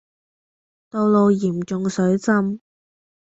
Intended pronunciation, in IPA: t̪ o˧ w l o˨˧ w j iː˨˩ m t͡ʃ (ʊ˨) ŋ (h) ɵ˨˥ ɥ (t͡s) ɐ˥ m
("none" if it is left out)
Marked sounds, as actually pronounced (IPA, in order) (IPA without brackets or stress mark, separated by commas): ʊ˨, s, t͡s